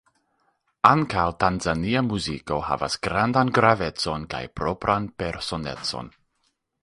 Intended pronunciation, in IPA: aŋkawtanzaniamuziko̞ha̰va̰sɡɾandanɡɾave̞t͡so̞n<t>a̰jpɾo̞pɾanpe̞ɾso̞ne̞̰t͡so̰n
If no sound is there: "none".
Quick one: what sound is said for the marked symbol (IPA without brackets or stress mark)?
k